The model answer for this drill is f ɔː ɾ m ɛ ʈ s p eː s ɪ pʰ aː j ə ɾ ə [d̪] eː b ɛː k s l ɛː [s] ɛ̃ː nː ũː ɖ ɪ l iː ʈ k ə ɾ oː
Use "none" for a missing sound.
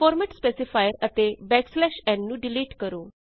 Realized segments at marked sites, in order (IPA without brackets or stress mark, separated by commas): t̪, ʃ